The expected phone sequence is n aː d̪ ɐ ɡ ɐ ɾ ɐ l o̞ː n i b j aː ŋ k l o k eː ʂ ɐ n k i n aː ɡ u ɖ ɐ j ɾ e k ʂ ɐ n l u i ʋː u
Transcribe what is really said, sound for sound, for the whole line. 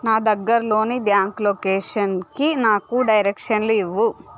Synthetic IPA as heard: n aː d̪ ɐ ɡː ɐ ɾ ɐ l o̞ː n i b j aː ŋ k l o k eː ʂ ɐ n k i n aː k u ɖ ɐ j ɾ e k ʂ ɐ n l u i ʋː u